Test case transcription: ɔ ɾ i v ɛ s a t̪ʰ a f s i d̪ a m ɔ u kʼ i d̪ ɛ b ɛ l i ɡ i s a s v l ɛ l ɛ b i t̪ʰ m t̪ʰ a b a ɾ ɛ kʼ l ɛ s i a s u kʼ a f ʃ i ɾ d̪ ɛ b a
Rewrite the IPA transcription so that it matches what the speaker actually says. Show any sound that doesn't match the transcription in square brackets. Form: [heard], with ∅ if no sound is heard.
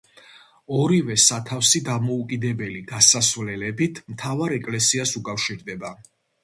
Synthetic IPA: ɔ ɾ i v ɛ s a t̪ʰ a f s i d̪ a m ɔ u kʼ i d̪ ɛ b ɛ l i ɡ [a] s a s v l ɛ l ɛ b i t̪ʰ m t̪ʰ a [v] a ɾ ɛ kʼ l ɛ s i a s u kʼ a f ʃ i ɾ d̪ ɛ b a